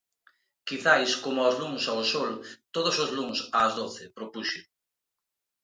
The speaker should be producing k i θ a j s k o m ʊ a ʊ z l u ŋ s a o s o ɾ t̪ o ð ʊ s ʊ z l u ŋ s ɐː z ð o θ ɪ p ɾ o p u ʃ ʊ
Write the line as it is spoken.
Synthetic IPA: k i θ a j s k o m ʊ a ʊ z l u ŋ s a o s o l t̪ o ð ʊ s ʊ z l u ŋ s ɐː z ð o θ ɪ p ɾ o p u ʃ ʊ